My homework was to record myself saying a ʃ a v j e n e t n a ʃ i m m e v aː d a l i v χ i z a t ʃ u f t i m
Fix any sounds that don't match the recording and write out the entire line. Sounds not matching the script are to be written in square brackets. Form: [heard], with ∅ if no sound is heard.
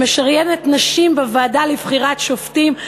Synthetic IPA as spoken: [e] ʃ a [ʁ] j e n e t n a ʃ i m [b] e v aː d a l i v χ i [ʁ] a t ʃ [o] f t i m

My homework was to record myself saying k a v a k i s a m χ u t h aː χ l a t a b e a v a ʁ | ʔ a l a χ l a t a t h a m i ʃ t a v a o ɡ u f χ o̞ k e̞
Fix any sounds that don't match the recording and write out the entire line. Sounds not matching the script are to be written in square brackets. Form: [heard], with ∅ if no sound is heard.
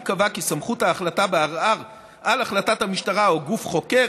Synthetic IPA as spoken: k a v a k i s a m χ u t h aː χ l a t a b e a [ʁ] a ʁ | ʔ a l a χ l a t a t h a m i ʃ t a [ʁ] a o ɡ u f χ o̞ k e̞

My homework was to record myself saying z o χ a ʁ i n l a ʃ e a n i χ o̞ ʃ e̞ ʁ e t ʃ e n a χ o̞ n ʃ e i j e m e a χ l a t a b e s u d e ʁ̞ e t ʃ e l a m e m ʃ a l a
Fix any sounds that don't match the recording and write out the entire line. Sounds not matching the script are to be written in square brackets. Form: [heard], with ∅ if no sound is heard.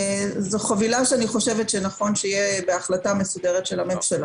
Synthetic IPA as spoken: z o χ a [v] i [∅] l a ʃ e a n i χ o̞ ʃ e̞ [v] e t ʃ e n a χ o̞ n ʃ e i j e [b] e a χ l a t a [m] e s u d e ʁ̞ e t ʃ e l a m e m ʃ a l a

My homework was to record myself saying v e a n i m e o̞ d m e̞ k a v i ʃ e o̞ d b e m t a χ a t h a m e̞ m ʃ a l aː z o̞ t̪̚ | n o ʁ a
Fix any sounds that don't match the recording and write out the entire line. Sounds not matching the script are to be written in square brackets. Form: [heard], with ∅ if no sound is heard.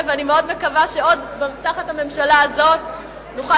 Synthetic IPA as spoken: v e a n i m e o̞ d m e̞ k a v [a] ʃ e o̞ d b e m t a χ a t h a m e̞ m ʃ a l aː z o̞ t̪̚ | n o [χ] a

